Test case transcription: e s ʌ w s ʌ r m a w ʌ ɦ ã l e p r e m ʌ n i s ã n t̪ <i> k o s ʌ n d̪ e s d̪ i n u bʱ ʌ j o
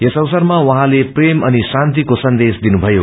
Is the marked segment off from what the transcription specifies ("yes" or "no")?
no